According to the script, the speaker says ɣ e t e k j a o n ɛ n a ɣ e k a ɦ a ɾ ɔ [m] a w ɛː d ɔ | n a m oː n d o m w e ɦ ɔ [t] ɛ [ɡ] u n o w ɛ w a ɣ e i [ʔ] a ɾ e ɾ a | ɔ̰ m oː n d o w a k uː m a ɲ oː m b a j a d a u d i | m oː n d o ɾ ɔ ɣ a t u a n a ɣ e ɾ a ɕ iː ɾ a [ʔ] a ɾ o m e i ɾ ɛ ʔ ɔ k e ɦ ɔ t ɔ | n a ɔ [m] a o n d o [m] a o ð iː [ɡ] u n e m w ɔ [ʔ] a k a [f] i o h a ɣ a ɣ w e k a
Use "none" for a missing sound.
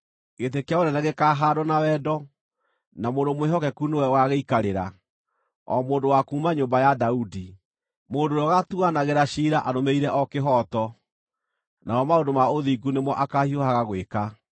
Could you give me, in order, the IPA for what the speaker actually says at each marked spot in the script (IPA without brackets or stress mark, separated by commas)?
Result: n, k, k, k, ʔ, m, m, ɡ, ʔ, h